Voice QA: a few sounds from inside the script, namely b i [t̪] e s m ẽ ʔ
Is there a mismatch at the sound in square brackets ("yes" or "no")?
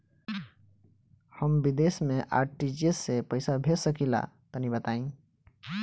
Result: yes